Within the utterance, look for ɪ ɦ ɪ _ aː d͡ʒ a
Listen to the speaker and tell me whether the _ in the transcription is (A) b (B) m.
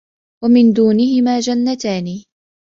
B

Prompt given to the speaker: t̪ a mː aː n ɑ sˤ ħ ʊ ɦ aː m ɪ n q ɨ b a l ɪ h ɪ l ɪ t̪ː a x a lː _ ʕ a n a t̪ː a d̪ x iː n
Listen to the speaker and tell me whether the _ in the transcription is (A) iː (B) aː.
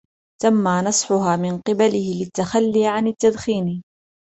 A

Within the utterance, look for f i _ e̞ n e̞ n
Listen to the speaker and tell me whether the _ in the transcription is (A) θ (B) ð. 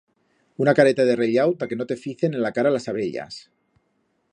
A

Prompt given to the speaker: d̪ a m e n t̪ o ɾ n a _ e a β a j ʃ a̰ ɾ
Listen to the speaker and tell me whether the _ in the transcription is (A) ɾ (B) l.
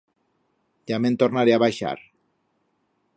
A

